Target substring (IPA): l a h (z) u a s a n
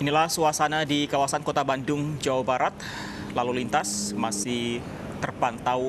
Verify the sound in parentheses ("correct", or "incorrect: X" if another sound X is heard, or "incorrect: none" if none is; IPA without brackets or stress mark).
incorrect: s